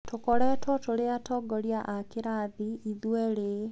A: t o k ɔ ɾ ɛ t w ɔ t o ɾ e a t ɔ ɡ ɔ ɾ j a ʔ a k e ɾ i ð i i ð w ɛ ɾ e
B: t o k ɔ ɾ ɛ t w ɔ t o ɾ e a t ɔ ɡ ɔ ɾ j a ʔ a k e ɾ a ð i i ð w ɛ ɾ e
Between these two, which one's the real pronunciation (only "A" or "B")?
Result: B